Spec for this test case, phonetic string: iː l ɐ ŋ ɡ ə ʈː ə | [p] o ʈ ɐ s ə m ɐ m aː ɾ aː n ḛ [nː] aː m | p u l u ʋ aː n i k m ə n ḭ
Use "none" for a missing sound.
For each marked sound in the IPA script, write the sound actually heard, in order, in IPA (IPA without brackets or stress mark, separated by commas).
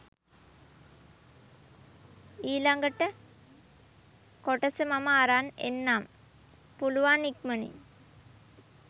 k, nː